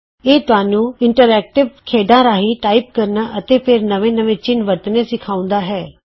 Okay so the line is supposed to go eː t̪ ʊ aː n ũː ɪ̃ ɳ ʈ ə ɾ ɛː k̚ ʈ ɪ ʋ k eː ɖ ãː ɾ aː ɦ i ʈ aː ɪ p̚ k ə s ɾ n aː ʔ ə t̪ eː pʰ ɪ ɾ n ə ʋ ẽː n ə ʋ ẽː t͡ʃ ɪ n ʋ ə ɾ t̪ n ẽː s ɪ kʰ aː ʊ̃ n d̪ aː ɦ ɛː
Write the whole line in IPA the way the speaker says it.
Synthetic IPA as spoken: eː t̪ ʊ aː n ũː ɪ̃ ɳ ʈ ə ɾ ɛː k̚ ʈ ɪ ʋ kʰ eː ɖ ãː ɾ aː ɦ i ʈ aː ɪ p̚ k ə ɾ n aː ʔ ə t̪ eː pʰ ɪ ɾ n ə ʋ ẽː n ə ʋ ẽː t͡ʃ ɪ n ʋ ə ɾ t̪ n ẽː s ɪ kʰ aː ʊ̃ n d̪ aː ɦ ɛː